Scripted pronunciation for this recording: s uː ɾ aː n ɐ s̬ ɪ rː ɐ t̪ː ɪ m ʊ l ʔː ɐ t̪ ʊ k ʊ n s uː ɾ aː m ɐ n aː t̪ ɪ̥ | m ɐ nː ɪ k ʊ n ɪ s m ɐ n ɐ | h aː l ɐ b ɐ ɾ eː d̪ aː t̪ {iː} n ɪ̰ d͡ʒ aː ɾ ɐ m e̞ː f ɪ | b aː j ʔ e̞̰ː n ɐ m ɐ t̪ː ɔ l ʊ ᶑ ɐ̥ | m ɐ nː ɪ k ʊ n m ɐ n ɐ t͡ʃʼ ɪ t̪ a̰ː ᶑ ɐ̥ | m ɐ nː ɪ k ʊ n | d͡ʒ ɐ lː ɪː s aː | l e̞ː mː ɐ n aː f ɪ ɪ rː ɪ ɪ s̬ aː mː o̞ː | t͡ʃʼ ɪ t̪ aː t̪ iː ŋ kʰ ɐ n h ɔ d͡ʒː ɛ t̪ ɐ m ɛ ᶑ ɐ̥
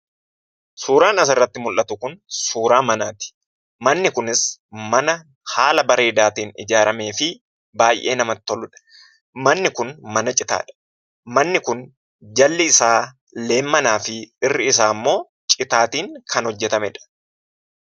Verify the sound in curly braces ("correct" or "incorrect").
correct